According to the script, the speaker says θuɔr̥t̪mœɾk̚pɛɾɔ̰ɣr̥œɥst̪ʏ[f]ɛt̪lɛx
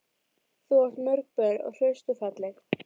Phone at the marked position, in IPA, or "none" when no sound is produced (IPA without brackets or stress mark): f